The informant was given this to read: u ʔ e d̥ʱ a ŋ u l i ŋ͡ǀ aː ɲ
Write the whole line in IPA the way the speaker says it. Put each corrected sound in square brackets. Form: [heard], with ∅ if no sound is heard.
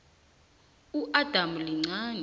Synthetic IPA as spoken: u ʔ [a] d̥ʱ a [m] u l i ŋ͡ǀ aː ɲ